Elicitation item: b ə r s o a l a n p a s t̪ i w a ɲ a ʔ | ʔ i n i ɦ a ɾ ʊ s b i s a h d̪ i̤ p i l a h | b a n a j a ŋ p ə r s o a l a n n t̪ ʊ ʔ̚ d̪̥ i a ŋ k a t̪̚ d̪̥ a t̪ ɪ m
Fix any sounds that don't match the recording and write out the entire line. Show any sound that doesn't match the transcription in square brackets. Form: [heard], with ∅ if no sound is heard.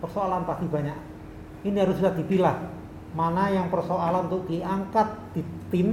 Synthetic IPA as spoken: [p] ə r s o a l a n p a s t̪ i [b] a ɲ a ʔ | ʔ i n i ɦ a ɾ ʊ s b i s a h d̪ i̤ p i l a h | [m] a n a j a ŋ p ə r s o a l a n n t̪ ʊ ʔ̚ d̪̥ i a ŋ k a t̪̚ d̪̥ [i] t̪ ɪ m